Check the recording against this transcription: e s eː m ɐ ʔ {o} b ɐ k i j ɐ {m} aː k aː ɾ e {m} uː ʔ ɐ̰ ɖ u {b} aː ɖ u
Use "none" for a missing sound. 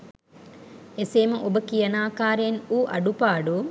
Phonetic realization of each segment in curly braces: o, n, n, p

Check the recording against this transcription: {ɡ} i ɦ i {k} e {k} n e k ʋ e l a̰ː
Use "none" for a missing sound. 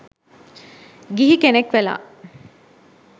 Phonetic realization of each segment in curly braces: ɡ, k, none

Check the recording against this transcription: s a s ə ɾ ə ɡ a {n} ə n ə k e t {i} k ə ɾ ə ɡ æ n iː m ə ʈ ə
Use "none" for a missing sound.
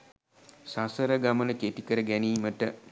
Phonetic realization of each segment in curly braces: m, i

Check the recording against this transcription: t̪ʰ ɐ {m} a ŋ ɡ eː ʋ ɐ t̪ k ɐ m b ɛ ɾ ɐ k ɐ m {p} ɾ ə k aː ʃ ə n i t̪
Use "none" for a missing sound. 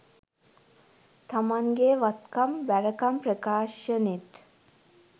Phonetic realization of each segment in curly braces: m, p

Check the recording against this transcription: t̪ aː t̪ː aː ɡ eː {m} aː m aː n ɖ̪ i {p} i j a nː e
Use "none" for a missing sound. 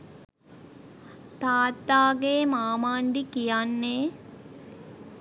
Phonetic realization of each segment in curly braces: m, k

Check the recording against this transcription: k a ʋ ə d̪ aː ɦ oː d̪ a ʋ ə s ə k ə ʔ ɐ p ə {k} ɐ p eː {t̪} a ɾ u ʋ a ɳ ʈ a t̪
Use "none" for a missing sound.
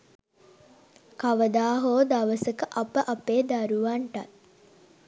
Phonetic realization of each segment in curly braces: ʔ, d̪

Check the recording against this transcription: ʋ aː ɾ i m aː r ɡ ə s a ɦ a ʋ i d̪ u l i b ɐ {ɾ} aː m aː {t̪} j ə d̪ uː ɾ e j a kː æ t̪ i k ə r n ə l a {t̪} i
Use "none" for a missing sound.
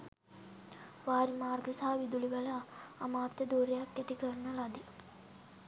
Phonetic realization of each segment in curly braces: l, t̪, d̪

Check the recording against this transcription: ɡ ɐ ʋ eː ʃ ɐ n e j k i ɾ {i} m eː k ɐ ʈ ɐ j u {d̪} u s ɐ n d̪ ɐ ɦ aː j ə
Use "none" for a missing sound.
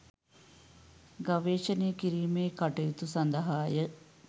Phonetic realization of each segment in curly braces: iː, t̪

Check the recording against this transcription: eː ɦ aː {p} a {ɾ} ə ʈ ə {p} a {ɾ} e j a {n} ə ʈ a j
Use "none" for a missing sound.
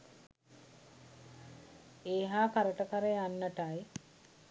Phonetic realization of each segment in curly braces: k, ɾ, k, ɾ, nː

